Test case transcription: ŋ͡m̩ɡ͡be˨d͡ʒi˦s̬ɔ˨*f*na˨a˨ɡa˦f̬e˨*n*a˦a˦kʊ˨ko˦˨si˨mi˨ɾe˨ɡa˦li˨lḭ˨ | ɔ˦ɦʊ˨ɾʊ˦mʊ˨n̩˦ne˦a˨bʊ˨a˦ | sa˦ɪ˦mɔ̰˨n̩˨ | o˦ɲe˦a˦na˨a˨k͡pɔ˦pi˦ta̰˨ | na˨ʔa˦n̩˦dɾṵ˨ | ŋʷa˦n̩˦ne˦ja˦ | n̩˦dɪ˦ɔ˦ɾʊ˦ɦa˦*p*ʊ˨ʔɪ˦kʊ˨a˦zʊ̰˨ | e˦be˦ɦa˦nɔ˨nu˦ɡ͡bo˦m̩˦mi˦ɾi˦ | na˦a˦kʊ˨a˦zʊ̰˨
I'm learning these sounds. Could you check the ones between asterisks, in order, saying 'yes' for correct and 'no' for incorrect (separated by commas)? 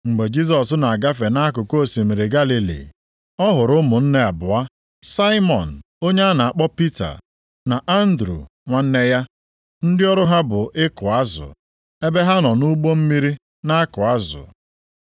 no, yes, no